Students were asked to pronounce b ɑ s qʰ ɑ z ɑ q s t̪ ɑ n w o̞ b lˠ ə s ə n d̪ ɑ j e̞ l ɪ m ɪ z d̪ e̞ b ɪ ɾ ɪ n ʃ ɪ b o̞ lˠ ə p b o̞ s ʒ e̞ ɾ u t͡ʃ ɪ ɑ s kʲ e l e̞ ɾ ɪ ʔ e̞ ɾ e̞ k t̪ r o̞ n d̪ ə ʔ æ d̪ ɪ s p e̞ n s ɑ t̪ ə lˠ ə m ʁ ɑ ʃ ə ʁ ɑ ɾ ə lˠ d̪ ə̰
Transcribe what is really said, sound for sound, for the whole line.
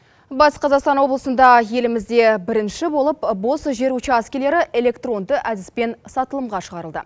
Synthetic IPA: b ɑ s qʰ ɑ z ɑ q s t̪ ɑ n w o̞ b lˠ ə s ə n d̪ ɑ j e̞ l ɪ m ɪ z d̪ e̞ b ɪ ɾ ɪ n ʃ ɪ b o̞ lˠ ə p b o̞ s ʒ e̞ ɾ u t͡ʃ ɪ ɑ s kʲ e l e̞ ɾ ɪ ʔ e̞ l e̞ k t̪ r o̞ n d̪ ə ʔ æ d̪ ɪ s p e̞ n s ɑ t̪ ə lˠ ə m ʁ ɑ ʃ ə ʁ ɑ ɾ ə lˠ d̪ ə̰

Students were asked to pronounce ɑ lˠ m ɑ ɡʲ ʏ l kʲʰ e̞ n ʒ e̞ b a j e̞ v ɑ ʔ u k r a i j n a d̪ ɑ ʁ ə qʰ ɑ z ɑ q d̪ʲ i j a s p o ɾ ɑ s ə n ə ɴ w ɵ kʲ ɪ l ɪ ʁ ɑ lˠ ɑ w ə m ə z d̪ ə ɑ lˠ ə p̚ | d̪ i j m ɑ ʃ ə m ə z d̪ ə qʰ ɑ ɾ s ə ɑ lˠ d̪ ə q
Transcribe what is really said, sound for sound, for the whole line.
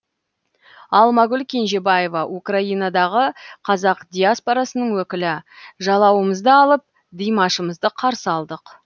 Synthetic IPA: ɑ lˠ m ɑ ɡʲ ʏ l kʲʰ e̞ n ʒ e̞ b a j e̞ v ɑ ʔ u k r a i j n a d̪ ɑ ʁ ə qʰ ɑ z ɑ q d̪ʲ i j a s p o ɾ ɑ s ə n ə ɴ w ɵ kʲ ɪ l ɪ ʒ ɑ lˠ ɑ w ə m ə z d̪ ə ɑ lˠ ə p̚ | d̪ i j m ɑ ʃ ə m ə z d̪ ə qʰ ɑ ɾ s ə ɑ lˠ d̪ ə q

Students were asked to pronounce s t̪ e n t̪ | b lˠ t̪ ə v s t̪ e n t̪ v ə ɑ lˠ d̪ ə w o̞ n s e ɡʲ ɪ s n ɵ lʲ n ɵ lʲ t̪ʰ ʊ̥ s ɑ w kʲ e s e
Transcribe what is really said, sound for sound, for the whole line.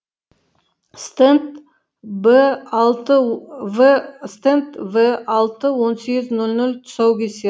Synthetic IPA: s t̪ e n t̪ | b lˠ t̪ ə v s t̪ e n t̪ v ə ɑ lˠ t̪ ə w o̞ n s e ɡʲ ɪ z n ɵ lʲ n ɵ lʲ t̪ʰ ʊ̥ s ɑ w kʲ e s e

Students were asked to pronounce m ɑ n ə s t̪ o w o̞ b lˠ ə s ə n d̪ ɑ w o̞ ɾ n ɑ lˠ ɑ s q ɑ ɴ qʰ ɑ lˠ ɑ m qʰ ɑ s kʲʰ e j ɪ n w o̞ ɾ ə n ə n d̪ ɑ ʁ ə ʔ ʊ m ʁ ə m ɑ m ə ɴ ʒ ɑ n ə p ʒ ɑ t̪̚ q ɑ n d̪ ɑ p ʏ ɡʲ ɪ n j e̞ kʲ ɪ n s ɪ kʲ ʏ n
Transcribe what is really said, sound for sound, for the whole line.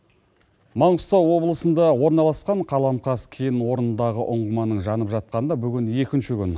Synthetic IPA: m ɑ ɴ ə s t̪ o w o̞ b lˠ ə s ə n d̪ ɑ w o̞ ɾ n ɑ lˠ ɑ s q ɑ ɴ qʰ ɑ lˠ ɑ m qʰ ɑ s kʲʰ e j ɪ n w o̞ ɾ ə n ə n d̪ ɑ ʁ ə ʔ ʊ ɴ ʁ ə m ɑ n ə ɴ ʒ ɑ n ə p ʒ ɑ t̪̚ q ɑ n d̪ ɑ b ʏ ɡʲ ɪ n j e̞ kʲ ɪ n ʃ ɪ kʲ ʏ n

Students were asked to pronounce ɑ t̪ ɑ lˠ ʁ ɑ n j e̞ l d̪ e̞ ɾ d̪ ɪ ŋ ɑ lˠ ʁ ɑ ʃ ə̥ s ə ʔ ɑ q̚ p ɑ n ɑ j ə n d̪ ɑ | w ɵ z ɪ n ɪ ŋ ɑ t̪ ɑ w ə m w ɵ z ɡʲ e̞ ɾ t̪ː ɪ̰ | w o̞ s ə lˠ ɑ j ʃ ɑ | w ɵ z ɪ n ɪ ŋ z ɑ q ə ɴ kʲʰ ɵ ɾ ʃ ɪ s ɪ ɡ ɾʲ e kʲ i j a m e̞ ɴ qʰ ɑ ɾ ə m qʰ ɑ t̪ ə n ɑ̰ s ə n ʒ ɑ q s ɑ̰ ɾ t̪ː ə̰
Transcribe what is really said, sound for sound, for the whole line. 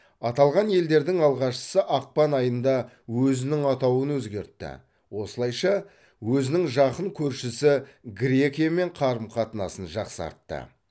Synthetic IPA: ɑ t̪ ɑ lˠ ʁ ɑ n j e̞ l d̪ e̞ ɾ d̪ ɪ ŋ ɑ lˠ ʁ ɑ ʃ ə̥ s ə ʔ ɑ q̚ p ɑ n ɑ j ə n d̪ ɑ | w ɵ z ɪ n ɪ ŋ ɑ t̪ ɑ w ə n w ɵ z ɡʲ e̞ ɾ t̪ː ɪ̰ | w o̞ s ə lˠ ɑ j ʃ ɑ | w ɵ z ɪ n ɪ ŋ ʒ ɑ q ə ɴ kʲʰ ɵ ɾ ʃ ɪ s ɪ ɡ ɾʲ e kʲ i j a m e̞ ɴ qʰ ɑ ɾ ə m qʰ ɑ t̪ ə n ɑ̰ s ə n ʒ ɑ q s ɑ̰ ɾ t̪ː ə̰

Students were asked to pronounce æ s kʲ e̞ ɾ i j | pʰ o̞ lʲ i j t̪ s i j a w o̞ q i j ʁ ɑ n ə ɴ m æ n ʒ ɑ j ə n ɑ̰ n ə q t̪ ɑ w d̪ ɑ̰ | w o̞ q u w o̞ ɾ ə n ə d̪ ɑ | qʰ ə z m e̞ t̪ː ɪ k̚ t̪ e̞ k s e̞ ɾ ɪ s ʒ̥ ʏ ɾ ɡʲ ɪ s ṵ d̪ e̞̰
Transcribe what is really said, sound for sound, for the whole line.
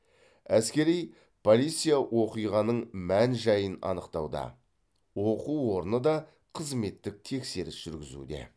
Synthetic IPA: æ s kʲ e̞ ɾ i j | pʰ o̞ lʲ i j t̪ s i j a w o̞ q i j ʁ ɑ n ə ɴ m æ n ʒ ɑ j ə n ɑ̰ n ə q t̪ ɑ w d̪ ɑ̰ | w o̞ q u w o̞ ɾ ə n ə d̪ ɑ | qʰ ə z m e̞ t̪ː ɪ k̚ t̪ʰ e̞ k s e̞ ɾ ɪ s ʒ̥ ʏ ɾ ɡʲ ɪ z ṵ d̪ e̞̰

